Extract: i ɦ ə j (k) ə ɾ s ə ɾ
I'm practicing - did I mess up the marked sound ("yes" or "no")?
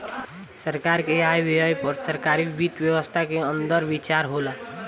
yes